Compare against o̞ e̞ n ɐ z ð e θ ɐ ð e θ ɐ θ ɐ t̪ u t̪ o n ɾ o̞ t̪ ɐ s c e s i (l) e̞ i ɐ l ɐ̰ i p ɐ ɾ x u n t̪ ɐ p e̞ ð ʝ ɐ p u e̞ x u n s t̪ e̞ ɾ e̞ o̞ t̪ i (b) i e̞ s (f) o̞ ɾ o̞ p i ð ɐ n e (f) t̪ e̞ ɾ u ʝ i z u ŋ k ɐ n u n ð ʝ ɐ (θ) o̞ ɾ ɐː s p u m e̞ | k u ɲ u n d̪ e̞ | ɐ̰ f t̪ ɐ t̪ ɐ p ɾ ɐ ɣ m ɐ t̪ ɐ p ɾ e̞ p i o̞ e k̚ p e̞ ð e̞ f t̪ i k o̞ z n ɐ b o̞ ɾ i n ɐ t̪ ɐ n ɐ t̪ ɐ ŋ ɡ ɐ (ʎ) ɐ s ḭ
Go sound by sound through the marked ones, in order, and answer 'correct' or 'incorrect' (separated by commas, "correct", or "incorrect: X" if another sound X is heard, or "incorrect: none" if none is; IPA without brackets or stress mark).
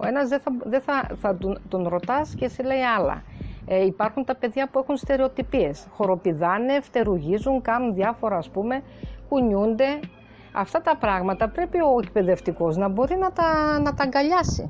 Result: correct, incorrect: p, incorrect: x, correct, incorrect: f, correct